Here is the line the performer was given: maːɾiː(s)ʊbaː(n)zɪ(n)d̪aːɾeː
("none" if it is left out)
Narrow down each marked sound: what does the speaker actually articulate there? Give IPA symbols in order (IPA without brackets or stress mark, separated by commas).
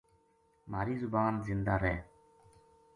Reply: z, n, n